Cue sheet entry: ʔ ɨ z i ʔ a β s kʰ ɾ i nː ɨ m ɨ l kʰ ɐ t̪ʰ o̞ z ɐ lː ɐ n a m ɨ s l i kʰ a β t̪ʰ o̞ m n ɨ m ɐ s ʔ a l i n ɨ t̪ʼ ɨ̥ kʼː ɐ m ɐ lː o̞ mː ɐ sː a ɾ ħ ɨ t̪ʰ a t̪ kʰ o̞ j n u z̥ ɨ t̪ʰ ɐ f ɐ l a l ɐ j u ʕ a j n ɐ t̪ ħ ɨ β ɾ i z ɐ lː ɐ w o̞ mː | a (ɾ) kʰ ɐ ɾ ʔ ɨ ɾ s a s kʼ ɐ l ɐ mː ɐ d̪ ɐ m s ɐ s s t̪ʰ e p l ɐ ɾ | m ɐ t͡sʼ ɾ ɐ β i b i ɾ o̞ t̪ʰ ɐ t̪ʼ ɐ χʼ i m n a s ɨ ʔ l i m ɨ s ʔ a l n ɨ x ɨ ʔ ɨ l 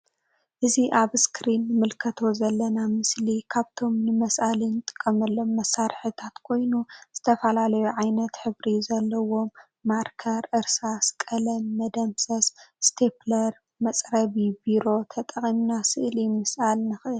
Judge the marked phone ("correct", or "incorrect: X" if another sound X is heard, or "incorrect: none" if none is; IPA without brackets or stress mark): correct